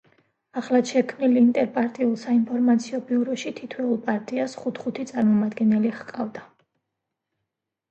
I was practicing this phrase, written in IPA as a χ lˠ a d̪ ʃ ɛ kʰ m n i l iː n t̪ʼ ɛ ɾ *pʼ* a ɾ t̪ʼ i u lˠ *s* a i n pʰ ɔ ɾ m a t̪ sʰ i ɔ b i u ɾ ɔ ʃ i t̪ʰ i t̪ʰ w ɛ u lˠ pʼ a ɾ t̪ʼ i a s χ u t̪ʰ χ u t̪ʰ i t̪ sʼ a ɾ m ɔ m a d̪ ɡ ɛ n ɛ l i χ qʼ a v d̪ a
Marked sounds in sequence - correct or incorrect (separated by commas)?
correct, correct